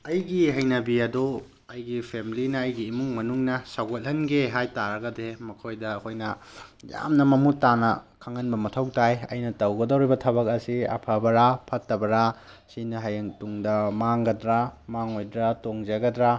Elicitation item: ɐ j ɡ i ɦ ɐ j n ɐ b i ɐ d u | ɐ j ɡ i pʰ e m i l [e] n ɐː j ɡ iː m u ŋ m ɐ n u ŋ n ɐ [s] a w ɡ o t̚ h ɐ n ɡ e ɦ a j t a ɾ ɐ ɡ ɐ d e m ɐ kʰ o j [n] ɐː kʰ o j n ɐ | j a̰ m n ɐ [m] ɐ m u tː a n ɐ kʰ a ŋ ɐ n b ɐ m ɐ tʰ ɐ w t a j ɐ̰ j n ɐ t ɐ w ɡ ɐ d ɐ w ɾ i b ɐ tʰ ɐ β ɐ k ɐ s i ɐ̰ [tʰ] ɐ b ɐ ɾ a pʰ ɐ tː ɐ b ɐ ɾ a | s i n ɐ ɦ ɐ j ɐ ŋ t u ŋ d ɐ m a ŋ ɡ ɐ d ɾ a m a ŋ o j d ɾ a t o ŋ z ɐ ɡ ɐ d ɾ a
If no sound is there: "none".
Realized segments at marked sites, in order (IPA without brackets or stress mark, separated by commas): i, s, d, m, pʰ